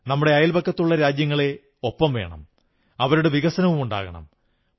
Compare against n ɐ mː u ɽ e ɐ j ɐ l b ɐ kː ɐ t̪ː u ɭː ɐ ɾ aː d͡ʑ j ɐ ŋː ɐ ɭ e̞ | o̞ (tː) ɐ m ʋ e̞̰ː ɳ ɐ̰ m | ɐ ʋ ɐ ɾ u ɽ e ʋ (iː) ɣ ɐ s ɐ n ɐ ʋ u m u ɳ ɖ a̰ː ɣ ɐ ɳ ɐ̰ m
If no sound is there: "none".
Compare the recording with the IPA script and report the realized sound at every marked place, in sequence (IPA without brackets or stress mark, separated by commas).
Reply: pː, i